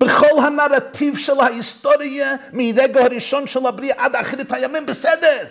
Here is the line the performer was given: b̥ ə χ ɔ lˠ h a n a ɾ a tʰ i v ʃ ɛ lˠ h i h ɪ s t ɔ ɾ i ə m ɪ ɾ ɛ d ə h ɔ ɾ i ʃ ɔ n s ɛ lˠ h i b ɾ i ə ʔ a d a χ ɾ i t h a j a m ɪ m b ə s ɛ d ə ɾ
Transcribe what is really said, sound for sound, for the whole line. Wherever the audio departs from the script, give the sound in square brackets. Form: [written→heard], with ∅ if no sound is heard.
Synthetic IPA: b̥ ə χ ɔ lˠ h a n a ɾ a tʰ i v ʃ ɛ lˠ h [i→a] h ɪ s t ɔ ɾ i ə m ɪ ɾ ɛ [d→ɡ] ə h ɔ ɾ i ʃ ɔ n [s→ʃ] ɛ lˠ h [i→a] b ɾ i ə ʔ a d a χ ɾ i t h a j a m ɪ m b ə s ɛ d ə ɾ